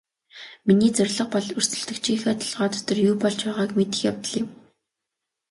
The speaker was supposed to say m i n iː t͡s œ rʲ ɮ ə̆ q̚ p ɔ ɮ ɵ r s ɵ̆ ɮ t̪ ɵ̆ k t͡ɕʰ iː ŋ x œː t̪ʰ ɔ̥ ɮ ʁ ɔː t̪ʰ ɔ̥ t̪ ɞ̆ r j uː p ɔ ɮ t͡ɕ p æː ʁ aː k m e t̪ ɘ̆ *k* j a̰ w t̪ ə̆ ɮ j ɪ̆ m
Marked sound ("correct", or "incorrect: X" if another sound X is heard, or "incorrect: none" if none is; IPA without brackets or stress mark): incorrect: x